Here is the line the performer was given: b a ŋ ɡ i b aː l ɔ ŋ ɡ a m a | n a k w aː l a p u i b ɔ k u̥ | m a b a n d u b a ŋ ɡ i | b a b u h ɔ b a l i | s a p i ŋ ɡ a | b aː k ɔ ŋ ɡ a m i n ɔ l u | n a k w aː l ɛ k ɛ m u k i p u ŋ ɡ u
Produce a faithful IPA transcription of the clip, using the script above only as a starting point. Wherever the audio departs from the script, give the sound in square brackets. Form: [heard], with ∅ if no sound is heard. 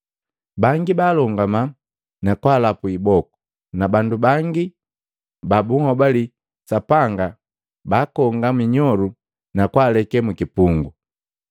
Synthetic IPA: b a ŋ ɡ i b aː l ɔ ŋ ɡ a m a | n a k w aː l a p u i b ɔ k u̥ | [n] a b a n d u b a ŋ ɡ i | b a b u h ɔ b a l i | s a p [a] ŋ ɡ a | b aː k ɔ ŋ ɡ a m i [ɲ] ɔ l u | n a k w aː l ɛ k ɛ m u k i p u ŋ ɡ u

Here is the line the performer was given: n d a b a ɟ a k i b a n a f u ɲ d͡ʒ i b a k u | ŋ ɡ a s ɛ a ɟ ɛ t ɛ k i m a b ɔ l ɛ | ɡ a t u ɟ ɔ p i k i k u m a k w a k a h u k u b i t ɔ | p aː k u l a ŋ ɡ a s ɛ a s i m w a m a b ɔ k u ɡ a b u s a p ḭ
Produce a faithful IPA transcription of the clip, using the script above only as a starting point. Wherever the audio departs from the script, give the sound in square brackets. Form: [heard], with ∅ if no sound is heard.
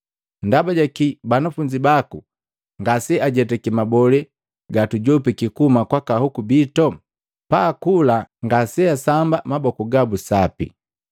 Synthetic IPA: n d a b a ɟ a k i b a n a f u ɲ d͡ʒ i b a k u | ŋ ɡ a s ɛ a ɟ ɛ t ɛ k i m a b ɔ l ɛ | ɡ a t u ɟ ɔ p i k i k u m a k w a k a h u k u b i t ɔ | p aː k u l a ŋ ɡ a s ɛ a s [a] m [b] a m a b ɔ k u ɡ a b u s a p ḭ

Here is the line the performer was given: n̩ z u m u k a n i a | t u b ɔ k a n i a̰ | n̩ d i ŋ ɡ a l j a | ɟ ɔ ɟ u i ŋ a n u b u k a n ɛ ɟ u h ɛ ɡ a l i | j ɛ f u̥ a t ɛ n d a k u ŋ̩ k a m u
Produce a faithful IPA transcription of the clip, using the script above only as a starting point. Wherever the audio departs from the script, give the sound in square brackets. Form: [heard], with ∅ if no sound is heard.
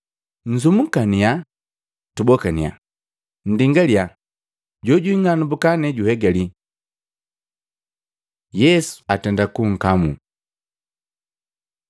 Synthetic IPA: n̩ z u m u k a n i a | t u b ɔ k a n i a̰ | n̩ d i ŋ ɡ a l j a | ɟ ɔ ɟ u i ŋ a n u b u k a n ɛ ɟ u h ɛ ɡ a l i | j ɛ [s] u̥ a t ɛ n d a k u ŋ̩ k a m u

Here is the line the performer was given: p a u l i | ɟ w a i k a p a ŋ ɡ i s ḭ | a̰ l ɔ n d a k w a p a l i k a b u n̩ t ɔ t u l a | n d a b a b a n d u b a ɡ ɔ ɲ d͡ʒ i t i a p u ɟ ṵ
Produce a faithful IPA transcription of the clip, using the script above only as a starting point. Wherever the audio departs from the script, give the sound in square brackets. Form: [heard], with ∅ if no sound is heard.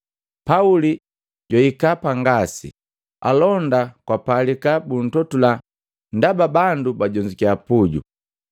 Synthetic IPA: p a u l i | ɟ w a i k a p a ŋ ɡ [a] s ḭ | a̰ l ɔ n d a k w a p a l i k a b u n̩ t ɔ t u l a | n d a b a b a n d u b a [ɟ] ɔ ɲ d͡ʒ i [k] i a p u ɟ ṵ

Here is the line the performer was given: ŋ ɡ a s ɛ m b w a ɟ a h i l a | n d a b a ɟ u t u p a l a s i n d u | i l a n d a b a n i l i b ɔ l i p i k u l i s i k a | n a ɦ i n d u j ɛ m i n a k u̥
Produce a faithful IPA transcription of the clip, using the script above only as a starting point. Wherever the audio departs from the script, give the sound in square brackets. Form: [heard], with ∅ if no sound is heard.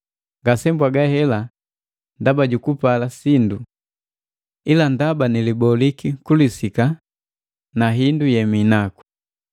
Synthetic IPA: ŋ ɡ a s ɛ m b w a [ɡ] a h [ɛ] l a | n d a b a ɟ u [k] u p a l a s i n d u | i l a n d a b a n i l i b ɔ l i [k] i k u l i s i k a | n a ɦ i n d u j ɛ m i n a k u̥

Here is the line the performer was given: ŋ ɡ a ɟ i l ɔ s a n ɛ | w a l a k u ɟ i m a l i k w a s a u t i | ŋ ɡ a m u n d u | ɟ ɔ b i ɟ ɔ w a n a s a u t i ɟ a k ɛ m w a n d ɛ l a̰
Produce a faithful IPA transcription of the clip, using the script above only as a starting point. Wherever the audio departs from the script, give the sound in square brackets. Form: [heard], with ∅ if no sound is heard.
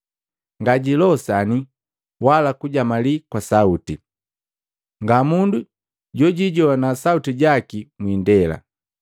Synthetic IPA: ŋ ɡ a ɟ i l ɔ s a n [i] | w a l a k u ɟ [a] m a l i k w a s a u t i | ŋ ɡ a m u n d u | ɟ ɔ [ɟ] i ɟ ɔ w a n a s a u t i ɟ a k [i] m w [i] n d ɛ l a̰

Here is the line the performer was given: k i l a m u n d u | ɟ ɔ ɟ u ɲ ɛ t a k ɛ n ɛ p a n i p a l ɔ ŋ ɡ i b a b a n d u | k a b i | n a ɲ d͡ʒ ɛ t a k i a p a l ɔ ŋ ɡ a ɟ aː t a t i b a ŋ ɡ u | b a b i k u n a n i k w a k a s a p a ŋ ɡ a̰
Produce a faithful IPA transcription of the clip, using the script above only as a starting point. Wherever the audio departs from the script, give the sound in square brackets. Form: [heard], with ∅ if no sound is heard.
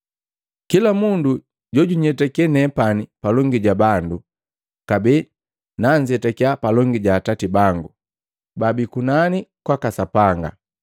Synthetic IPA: k i l a m u n d u | ɟ ɔ ɟ u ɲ ɛ t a k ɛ n ɛ p a n i p a l ɔ ŋ ɡ i [ɟ] a b a n d u | k a b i | n a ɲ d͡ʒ ɛ t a k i a p a l ɔ ŋ ɡ [i] ɟ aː t a t i b a ŋ ɡ u | b a b i k u n a n i k w a k a s a p a ŋ ɡ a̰

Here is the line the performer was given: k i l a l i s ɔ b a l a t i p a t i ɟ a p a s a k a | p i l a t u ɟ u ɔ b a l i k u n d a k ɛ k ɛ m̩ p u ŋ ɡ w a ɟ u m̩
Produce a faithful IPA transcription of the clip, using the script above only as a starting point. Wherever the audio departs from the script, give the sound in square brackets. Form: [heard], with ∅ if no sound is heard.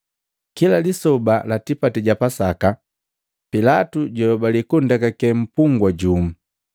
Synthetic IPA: k i l a l i s ɔ b a l a t i p a t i ɟ a p a s a k a | p i l a t u ɟ [ɔ] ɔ b a l i k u n d a k [a] k ɛ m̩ p u ŋ ɡ w a ɟ u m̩

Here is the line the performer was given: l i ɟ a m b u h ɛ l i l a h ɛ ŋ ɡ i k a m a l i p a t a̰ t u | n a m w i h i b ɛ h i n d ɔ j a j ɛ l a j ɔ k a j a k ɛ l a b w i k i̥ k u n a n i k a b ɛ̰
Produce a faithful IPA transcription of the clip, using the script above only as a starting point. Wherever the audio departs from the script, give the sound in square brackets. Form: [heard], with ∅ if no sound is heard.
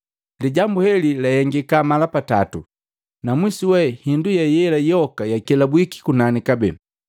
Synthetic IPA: l i ɟ a m b u h ɛ l i l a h ɛ ŋ ɡ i k a m a l [a] p a t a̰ t u | n a m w i [s] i [w] ɛ h i n d [u] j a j ɛ l a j ɔ k a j a k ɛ l a b w i k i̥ k u n a n i k a b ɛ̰

